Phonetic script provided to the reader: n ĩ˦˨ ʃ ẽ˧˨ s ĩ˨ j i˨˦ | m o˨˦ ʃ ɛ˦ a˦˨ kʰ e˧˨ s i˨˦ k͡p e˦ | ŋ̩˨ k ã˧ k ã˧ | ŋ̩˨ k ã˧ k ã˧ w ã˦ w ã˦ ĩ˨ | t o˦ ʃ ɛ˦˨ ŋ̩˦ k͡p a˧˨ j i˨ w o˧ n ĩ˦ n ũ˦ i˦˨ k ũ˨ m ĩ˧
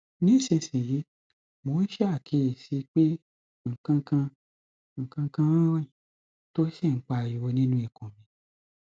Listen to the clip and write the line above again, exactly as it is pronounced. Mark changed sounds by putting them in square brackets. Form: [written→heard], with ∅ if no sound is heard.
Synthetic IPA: n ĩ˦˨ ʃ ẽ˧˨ s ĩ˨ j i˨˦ | m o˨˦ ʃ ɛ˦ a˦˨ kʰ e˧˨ s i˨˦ k͡p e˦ | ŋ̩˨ k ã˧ k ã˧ | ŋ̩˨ k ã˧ k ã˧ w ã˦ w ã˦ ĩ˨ | t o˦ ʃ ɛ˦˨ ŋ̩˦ k͡p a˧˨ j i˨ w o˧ n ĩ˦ n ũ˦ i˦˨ k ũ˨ m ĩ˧